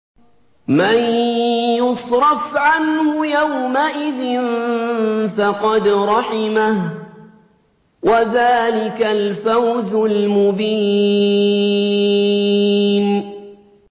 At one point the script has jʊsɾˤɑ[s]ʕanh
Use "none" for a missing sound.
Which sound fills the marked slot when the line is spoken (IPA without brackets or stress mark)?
f